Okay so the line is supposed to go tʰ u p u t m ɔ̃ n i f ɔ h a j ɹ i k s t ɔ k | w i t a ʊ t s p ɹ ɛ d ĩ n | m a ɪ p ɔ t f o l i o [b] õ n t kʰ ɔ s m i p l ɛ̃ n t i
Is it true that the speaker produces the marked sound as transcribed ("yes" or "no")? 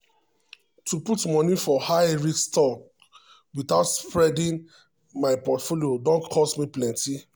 no